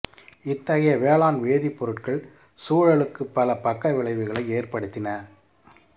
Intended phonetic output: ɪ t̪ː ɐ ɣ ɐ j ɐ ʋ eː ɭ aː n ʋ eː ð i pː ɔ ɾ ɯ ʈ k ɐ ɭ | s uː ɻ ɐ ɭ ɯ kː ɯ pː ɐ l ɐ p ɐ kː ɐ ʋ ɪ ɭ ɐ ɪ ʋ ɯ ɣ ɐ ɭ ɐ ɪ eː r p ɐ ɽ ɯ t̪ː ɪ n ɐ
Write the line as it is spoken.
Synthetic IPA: ɪ t̪ː ɐ ɣ ɐ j ɐ ʋ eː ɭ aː n ʋ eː ð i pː ɔ ɾ ɯ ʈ k ɐ ɭ | s uː ɻ ɐ ɭ ɯ kː ɯ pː ɐ l ɐ p ɐ kː ɐ ʋ ɪ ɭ ɐ ɪ ʋ ɯ ɣ ɐ ɭ ɐ ɪ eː r p ɐ ɽ ɯ t̪ː ɪ n ɐ